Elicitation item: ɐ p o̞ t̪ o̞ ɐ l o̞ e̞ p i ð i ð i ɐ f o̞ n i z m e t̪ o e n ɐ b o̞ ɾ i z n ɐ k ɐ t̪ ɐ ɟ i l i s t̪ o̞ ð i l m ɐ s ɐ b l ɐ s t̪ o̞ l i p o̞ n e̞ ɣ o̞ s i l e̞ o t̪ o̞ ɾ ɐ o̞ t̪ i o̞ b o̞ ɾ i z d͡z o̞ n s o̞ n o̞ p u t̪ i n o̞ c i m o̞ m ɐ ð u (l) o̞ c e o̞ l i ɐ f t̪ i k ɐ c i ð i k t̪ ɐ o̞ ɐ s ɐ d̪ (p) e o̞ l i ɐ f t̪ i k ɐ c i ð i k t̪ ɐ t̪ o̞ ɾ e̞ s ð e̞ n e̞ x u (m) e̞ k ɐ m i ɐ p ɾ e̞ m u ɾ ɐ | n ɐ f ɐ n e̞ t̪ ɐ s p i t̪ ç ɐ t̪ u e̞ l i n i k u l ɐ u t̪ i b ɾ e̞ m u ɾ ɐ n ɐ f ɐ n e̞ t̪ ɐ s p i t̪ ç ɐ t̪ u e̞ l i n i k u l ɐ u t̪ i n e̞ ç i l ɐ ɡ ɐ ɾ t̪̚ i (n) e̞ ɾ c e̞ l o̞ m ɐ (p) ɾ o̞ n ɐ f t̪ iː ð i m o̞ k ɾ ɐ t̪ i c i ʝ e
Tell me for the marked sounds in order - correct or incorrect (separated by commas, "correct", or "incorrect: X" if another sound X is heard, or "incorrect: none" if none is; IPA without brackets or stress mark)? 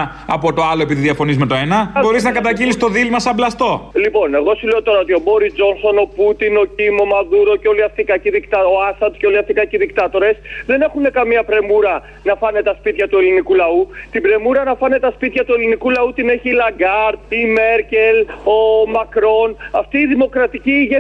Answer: incorrect: ɾ, incorrect: c, incorrect: n, incorrect: m, incorrect: k